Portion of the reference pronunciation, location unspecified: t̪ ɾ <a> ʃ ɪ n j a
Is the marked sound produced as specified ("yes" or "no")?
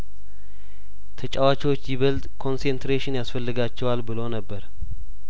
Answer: no